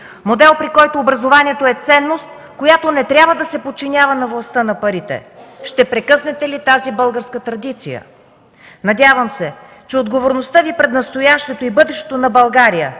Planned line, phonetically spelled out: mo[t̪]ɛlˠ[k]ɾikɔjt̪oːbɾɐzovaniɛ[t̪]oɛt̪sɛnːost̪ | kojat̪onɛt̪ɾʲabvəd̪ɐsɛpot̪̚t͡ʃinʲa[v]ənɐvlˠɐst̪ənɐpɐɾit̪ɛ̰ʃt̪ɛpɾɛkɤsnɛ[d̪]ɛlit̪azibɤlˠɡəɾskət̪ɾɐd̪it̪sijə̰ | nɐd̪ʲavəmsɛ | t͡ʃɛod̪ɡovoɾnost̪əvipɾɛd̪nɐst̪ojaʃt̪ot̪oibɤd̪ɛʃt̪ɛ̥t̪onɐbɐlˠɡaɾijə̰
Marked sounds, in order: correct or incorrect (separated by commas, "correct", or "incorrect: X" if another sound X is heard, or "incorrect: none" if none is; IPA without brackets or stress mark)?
incorrect: d̪, incorrect: p, correct, correct, incorrect: t̪